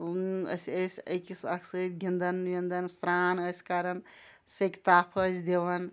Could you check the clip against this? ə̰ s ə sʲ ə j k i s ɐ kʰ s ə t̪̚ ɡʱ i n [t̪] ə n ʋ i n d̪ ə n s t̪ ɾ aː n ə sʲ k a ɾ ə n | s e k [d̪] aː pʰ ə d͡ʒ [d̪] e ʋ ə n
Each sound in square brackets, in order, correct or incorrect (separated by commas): incorrect, incorrect, correct